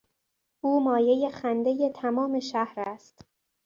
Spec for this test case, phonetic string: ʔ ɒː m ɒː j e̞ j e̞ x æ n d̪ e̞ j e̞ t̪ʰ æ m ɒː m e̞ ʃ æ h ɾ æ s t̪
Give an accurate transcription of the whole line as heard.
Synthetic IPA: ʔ uː m ɒː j e̞ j e̞ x æ n d̪ e̞ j e̞ t̪ʰ æ m ɒː m e̞ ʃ æ h ɾ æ s t̪